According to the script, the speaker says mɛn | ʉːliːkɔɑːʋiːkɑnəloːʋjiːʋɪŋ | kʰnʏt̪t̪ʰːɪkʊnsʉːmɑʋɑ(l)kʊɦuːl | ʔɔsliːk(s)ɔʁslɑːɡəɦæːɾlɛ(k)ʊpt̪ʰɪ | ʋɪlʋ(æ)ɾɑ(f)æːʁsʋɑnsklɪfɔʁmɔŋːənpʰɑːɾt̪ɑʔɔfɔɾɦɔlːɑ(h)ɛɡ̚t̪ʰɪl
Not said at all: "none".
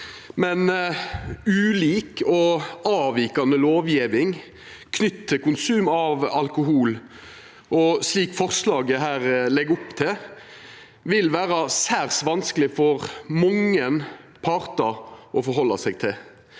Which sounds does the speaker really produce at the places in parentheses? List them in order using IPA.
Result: l, f, ɡ, æː, s, s

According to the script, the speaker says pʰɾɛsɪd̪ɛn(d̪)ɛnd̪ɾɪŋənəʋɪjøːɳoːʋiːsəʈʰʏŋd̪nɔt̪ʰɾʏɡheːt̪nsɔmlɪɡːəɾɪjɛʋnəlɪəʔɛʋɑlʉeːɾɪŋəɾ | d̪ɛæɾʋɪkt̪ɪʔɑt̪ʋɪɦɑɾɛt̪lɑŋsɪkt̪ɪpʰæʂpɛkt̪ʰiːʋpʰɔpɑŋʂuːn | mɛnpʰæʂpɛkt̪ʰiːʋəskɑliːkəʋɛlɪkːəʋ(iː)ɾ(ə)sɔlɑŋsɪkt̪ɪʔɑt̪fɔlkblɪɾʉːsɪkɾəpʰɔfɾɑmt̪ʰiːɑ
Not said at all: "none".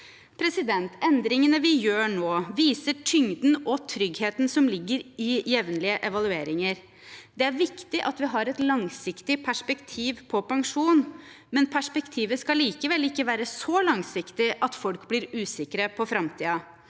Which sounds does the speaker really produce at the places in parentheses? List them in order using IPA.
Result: t̪, æː, ə

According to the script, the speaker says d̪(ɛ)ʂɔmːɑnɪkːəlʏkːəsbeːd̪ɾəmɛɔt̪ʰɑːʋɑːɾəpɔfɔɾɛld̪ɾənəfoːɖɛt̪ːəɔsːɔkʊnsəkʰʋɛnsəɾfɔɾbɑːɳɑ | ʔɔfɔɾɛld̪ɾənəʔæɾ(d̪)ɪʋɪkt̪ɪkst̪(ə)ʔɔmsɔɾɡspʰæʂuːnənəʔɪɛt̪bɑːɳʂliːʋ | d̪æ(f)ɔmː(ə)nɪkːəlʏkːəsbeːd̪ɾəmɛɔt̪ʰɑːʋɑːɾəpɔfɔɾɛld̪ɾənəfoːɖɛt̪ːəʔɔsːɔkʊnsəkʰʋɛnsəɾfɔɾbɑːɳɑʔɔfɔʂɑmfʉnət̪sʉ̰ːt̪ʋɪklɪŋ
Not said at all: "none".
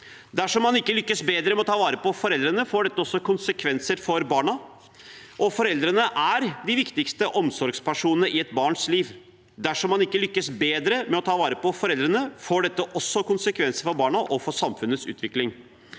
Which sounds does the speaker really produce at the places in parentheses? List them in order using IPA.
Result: æ, d̪, ə, ʂ, ɑ

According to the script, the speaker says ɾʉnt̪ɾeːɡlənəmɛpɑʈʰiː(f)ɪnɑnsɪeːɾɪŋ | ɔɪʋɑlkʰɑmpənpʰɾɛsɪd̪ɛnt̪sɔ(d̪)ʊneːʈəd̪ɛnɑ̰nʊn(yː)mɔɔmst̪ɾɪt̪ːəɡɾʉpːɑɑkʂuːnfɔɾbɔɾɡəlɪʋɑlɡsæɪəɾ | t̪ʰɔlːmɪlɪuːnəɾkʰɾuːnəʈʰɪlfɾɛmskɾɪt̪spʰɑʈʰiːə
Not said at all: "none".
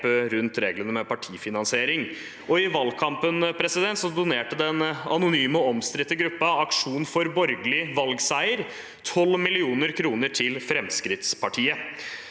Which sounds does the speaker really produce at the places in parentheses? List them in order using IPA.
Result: f, d̪, yː

